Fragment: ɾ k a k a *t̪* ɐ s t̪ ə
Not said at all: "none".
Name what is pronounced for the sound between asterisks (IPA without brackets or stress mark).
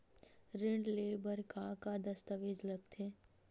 d̪